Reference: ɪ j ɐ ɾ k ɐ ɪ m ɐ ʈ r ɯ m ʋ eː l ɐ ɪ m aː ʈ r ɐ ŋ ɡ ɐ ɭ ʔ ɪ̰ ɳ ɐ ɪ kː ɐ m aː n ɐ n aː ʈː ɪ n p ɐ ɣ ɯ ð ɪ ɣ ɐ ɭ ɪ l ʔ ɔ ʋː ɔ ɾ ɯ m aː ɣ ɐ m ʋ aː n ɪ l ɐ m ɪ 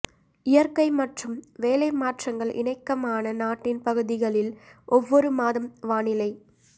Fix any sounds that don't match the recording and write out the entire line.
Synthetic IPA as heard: ɪ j ɐ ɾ k ɐ ɪ m ɐ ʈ r ɯ m ʋ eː l ɐ ɪ m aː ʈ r ɐ ŋ ɡ ɐ ɭ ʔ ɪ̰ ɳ ɐ ɪ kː ɐ m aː n ɐ n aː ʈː ɪ n p ɐ ɣ ɯ ð ɪ ɣ ɐ ɭ ɪ l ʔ ɔ ʋː ɔ ɾ ɯ m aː ð ɐ m ʋ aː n ɪ l ɐ ɪ

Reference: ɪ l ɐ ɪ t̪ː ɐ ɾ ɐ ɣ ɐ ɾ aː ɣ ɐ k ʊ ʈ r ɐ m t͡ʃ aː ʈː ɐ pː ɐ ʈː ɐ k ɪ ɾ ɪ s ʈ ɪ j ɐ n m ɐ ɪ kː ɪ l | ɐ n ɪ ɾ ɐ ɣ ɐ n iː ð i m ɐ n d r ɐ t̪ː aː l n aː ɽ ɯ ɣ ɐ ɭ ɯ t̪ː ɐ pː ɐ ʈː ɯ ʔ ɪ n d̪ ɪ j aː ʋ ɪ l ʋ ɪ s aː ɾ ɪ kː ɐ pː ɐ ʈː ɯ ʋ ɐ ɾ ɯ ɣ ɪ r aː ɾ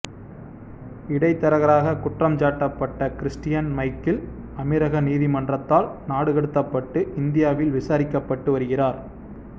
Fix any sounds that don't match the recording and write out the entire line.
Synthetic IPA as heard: ɪ ɽ ɐ ɪ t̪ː ɐ ɾ ɐ ɣ ɐ ɾ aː ɣ ɐ k ʊ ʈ r ɐ m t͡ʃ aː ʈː ɐ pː ɐ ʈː ɐ k ɪ ɾ ɪ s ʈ ɪ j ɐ n m ɐ ɪ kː ɪ l | ɐ m ɪ ɾ ɐ ɣ ɐ n iː ð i m ɐ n d r ɐ t̪ː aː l n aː ɽ ɯ ɣ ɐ ɽ ɯ t̪ː ɐ pː ɐ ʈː ɯ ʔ ɪ n d̪ ɪ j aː ʋ ɪ l ʋ ɪ s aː ɾ ɪ kː ɐ pː ɐ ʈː ɯ ʋ ɐ ɾ ɯ ɣ ɪ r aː ɾ

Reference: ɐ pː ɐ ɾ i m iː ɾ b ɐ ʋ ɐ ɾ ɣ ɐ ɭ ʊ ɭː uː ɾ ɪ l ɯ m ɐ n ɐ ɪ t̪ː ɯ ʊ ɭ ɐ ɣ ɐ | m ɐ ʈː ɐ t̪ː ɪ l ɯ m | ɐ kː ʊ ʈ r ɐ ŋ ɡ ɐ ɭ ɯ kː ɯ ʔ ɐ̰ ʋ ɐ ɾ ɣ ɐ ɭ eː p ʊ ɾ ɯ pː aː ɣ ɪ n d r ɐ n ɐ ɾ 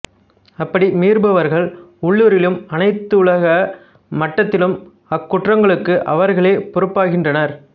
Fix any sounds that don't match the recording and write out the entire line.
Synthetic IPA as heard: ɐ pː ɐ ɽ i m iː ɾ b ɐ ʋ ɐ ɾ ɣ ɐ ɭ ʊ ɭː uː ɾ ɪ l ɯ m ɐ n ɐ ɪ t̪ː ɯ ʊ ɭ ɐ ɣ ɐ | m ɐ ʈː ɐ t̪ː ɪ l ɯ m | ɐ kː ʊ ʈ r ɐ ŋ ɡ ɐ ɭ ɯ kː ɯ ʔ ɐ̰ ʋ ɐ ɾ ɣ ɐ ɭ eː p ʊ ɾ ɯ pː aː ɣ ɪ n d r ɐ n ɐ ɾ

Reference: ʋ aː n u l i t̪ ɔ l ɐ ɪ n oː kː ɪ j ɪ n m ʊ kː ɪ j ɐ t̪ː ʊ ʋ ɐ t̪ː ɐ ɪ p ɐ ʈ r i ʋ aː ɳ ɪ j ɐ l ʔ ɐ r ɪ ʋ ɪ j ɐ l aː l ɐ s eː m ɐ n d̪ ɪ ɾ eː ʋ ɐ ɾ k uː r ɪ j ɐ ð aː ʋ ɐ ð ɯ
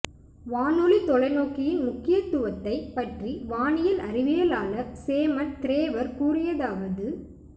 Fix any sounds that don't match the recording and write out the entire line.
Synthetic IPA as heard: ʋ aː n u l i t̪ ɔ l ɐ ɪ n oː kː ɪ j ɪ n m ʊ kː ɪ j ɐ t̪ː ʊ ʋ ɐ t̪ː ɐ ɪ p ɐ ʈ r i ʋ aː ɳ ɪ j ɐ l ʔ ɐ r ɪ ʋ ɪ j ɐ l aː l ɐ s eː m ɐ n t̪ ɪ ɾ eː ʋ ɐ ɾ k uː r ɪ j ɐ ð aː ʋ ɐ ð ɯ

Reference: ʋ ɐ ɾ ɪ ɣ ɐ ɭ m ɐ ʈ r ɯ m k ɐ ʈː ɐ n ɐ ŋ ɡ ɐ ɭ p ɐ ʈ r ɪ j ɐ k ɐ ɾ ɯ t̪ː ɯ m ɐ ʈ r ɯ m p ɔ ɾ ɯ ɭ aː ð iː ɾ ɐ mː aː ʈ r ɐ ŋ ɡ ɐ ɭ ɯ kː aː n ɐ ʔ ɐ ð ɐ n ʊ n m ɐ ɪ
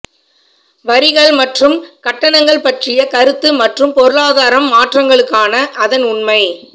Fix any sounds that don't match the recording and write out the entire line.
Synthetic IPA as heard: ʋ ɐ ɾ ɪ ɣ ɐ ɭ m ɐ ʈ r ɯ m k ɐ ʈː ɐ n ɐ ŋ ɡ ɐ ɭ p ɐ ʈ r ɪ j ɐ k ɐ ɾ ɯ t̪ː ɯ m ɐ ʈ r ɯ m p ɔ ɾ ɯ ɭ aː ð aː ɾ ɐ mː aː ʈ r ɐ ŋ ɡ ɐ ɭ ɯ kː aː n ɐ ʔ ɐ ð ɐ n ʊ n m ɐ ɪ

